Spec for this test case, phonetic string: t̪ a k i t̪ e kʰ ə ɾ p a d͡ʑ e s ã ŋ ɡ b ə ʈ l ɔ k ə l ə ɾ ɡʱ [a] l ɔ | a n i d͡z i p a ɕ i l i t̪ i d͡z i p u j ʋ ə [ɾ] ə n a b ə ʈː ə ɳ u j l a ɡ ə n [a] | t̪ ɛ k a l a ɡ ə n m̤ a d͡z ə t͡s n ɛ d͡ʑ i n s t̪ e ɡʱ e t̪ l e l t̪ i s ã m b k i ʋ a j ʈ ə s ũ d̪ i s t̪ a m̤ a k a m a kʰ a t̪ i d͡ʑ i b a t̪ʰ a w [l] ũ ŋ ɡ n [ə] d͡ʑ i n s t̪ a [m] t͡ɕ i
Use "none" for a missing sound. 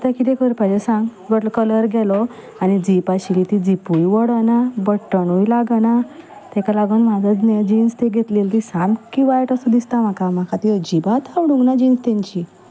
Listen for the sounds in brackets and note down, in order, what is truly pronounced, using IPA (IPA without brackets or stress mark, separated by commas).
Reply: ɛ, ɽ, a, ɽ, a, ɲ